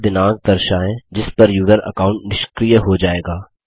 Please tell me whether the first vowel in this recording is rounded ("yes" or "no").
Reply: no